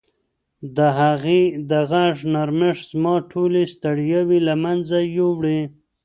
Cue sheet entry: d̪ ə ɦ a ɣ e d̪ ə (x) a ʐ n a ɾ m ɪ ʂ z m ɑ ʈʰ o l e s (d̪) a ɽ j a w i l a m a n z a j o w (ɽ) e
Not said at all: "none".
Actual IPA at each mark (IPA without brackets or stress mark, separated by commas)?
ɣ, t̪, ɽ